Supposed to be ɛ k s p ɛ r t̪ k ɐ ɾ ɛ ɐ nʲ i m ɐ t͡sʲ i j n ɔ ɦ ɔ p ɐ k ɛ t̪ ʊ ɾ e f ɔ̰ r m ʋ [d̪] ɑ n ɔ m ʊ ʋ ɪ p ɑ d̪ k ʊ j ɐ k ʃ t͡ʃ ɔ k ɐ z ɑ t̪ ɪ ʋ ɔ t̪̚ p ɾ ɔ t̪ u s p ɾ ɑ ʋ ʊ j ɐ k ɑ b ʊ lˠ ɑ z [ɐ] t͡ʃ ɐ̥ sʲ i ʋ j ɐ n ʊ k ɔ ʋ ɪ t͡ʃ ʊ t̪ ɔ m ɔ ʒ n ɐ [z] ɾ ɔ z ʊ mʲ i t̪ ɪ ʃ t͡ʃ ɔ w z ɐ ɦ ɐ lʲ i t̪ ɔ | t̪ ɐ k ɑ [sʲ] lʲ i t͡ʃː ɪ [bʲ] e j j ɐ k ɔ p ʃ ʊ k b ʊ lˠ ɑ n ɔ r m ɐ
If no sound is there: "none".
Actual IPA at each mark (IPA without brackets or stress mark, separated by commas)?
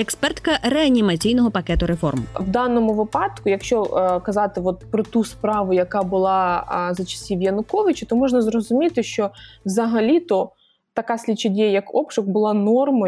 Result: d̪, ɐ, z, sʲ, dʲ